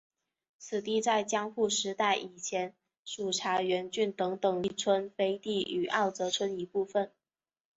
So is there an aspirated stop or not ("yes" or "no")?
yes